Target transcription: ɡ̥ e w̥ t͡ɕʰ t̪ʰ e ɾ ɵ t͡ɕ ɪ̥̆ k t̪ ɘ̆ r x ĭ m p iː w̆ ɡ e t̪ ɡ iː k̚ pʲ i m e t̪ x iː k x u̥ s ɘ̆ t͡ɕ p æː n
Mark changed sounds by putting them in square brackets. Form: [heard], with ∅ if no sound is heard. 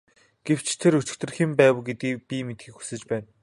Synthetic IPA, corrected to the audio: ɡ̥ e w̥ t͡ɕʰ t̪ʰ e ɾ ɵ t͡ɕ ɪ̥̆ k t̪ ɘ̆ r x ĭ m p [æː] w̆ ɡ e t̪ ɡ iː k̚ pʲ i m e t̪ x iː k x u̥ s ɘ̆ t͡ɕ p æː n